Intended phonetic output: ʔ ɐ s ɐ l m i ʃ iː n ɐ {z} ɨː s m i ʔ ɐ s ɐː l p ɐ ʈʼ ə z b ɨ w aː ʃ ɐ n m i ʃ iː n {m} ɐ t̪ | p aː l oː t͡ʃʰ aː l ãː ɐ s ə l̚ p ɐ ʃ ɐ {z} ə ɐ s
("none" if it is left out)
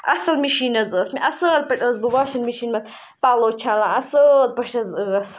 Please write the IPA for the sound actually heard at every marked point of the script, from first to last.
z, m, z

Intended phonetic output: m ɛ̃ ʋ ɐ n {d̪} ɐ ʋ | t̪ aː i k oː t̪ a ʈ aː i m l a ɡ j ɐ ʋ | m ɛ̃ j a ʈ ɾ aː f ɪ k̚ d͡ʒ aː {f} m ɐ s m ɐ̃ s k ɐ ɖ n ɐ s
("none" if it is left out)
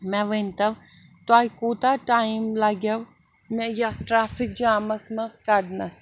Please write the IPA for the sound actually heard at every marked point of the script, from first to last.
t̪, none

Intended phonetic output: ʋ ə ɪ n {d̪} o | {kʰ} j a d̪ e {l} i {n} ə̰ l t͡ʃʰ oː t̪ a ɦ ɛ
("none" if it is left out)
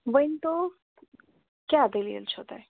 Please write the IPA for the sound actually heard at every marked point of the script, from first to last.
t̪, k, l, none

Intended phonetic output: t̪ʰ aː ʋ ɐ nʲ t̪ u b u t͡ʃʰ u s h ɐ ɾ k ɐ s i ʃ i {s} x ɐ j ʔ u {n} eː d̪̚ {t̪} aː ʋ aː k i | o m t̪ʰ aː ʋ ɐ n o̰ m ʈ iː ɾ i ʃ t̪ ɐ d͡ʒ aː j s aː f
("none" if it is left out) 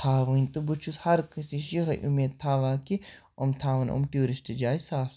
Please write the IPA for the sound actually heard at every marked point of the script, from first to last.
none, m, t̪ʰ

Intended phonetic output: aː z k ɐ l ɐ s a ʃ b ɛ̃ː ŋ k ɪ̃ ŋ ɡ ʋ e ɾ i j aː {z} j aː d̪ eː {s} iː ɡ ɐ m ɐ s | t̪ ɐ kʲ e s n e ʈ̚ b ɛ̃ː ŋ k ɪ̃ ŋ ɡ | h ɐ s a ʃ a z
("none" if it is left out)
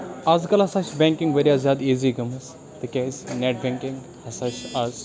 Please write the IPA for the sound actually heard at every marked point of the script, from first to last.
z, z

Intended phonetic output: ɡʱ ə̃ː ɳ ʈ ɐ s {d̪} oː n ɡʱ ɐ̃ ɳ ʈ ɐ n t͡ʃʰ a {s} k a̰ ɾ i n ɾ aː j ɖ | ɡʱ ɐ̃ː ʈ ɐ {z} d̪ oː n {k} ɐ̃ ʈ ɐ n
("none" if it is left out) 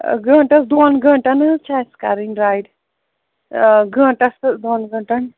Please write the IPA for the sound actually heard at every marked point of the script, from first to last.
d̪, s, s, ɡ

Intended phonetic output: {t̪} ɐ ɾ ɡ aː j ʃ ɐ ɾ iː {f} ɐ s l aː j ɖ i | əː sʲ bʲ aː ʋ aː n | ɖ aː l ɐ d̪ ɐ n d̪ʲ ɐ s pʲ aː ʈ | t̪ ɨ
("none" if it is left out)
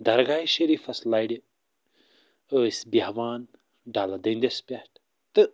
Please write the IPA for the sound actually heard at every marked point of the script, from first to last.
d̪, f

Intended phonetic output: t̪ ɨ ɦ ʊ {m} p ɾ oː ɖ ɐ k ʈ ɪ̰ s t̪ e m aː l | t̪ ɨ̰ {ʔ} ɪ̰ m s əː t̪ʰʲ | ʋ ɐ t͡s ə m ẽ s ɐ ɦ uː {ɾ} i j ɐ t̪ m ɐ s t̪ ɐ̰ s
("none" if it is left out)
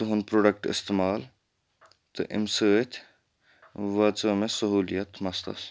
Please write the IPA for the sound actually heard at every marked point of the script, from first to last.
n, ʔ, l

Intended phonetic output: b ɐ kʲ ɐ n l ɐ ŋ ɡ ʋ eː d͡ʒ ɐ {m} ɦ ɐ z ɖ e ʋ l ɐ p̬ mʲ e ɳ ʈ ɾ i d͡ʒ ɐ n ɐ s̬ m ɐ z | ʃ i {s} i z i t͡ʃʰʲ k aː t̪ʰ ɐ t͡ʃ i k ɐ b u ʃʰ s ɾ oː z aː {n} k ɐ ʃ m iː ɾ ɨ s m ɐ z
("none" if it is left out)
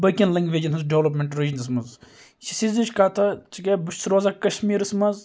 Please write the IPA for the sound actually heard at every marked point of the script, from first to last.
n, s, none

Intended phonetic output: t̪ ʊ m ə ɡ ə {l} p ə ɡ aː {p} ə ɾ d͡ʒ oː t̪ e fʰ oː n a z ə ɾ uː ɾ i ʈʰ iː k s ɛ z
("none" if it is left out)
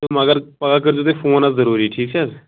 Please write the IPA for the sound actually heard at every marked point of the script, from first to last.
ɾ, k

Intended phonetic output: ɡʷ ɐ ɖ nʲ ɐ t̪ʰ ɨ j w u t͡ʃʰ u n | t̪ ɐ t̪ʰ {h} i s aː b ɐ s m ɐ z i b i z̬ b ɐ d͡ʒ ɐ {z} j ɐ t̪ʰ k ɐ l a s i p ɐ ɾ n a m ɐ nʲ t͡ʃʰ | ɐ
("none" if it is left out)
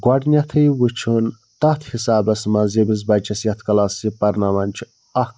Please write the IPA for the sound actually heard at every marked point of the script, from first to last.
h, s

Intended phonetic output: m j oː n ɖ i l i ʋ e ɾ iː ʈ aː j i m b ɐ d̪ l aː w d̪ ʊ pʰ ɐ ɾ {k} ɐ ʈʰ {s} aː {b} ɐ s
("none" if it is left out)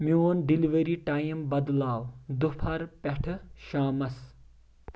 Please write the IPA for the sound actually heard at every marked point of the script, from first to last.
p, ʃ, m

